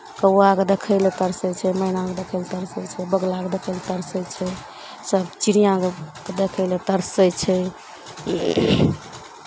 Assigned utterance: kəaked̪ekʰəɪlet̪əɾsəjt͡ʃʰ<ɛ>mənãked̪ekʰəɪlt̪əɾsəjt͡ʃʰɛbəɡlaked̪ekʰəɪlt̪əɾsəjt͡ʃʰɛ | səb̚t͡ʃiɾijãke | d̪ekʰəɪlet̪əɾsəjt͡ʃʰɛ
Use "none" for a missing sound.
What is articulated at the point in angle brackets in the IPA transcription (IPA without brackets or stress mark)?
ɛ